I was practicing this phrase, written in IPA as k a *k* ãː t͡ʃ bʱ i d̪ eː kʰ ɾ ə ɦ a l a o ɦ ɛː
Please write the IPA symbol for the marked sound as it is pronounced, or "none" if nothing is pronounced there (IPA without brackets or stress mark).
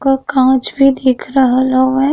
k